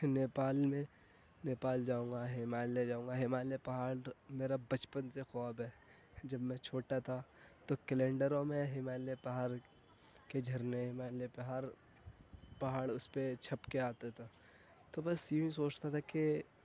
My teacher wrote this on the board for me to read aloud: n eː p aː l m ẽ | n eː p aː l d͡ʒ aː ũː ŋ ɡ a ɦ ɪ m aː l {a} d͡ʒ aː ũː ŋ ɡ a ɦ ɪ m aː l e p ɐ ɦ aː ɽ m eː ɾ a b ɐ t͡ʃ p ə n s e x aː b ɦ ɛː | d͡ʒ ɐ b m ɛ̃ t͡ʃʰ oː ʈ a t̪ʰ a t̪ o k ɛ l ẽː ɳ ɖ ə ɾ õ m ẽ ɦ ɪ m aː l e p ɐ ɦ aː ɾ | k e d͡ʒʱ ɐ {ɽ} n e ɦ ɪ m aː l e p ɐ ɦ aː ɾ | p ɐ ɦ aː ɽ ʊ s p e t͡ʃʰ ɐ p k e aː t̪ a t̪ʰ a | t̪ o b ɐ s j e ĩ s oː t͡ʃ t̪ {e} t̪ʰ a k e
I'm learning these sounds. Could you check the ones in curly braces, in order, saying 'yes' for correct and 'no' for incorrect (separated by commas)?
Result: no, no, no